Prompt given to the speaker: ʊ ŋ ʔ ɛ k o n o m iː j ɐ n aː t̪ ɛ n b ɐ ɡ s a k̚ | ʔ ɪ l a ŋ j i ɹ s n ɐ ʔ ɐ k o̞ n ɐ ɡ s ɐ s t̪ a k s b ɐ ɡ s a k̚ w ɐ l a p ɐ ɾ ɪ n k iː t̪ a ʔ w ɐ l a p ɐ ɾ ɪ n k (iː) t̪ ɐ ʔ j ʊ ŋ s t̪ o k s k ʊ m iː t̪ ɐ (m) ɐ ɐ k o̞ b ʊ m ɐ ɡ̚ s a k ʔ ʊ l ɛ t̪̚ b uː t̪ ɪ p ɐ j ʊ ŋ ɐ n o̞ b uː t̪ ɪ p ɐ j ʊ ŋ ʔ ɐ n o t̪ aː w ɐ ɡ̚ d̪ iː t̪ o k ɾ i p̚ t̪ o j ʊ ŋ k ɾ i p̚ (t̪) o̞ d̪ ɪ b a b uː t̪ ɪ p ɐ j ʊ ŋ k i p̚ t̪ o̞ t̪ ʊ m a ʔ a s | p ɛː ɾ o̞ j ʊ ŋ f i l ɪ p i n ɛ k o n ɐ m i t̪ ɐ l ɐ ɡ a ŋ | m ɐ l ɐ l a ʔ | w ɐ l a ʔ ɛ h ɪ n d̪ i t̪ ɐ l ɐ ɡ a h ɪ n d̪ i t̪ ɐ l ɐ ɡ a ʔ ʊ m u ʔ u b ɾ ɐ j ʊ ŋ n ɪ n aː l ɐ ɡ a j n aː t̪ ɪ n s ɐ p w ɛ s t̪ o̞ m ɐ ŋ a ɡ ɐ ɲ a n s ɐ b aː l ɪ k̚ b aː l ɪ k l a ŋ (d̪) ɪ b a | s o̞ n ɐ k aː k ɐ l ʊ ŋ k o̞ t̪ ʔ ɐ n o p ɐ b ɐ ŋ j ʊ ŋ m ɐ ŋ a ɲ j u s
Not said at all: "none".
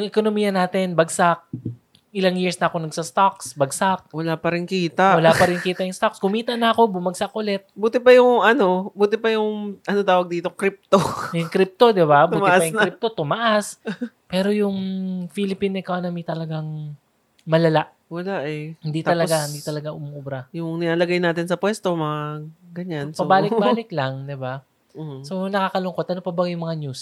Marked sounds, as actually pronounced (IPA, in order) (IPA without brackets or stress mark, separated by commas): iː, n, t̪, d̪